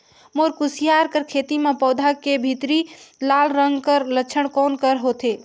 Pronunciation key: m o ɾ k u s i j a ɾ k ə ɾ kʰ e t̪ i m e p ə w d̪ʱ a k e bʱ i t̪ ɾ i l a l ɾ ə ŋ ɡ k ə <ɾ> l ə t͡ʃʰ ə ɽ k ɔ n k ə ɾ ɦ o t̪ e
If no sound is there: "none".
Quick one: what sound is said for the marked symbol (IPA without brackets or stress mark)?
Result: ɾ